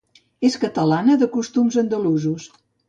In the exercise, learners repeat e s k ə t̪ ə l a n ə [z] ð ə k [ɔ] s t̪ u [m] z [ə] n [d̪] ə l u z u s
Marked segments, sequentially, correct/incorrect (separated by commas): incorrect, incorrect, correct, correct, correct